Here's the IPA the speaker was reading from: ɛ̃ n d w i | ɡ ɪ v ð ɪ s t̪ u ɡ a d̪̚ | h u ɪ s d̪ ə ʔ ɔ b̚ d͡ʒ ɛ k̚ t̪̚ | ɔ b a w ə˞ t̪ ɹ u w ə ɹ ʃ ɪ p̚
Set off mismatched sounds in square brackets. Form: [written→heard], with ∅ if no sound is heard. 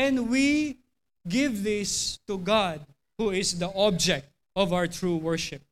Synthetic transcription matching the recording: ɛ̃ n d w i | ɡ ɪ v ð ɪ s t̪ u ɡ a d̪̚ | h u ɪ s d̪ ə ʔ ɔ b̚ d͡ʒ ɛ k̚ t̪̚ | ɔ [b→v] a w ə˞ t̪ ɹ u w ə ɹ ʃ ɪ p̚